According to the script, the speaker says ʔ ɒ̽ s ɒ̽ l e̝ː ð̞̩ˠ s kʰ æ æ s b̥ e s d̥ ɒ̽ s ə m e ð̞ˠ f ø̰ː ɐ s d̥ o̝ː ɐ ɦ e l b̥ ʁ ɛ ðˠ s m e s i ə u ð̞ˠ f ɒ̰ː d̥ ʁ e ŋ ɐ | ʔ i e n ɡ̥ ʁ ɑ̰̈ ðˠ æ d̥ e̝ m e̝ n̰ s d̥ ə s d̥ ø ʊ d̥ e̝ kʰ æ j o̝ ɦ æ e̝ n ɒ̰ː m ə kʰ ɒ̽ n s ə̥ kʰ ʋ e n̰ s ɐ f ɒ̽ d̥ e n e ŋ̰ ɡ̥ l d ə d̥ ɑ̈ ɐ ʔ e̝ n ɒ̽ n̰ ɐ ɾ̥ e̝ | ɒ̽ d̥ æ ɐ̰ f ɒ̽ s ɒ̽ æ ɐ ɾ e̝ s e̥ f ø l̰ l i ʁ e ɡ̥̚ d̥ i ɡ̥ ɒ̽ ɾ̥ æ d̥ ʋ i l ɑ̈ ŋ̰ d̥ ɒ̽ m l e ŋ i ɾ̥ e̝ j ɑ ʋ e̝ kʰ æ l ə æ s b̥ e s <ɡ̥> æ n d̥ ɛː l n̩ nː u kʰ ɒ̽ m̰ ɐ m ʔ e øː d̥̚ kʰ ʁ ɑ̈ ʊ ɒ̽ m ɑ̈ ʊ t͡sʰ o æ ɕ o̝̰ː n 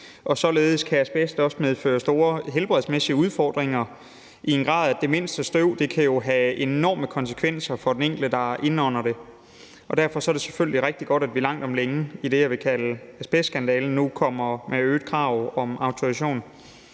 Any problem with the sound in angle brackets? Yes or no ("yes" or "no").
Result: no